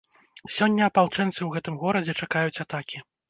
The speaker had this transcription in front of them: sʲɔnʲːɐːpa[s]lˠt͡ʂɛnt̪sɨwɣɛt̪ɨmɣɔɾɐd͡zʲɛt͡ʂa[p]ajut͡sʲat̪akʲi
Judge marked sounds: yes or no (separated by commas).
no, no